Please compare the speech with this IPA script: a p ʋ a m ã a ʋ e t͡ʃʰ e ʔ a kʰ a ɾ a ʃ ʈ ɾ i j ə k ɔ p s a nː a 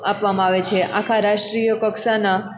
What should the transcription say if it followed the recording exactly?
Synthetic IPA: a p ʋ a m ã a ʋ e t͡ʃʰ e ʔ a kʰ a ɾ a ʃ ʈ ɾ i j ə k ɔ k s a n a